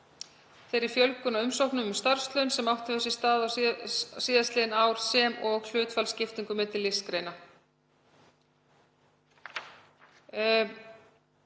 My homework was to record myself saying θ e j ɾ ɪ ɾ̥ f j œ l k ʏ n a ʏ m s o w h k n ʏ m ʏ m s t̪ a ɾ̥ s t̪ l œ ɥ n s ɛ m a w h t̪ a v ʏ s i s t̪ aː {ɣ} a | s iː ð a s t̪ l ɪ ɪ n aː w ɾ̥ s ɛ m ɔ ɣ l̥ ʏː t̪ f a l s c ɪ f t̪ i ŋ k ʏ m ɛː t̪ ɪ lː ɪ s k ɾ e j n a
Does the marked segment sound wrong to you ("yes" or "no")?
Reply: yes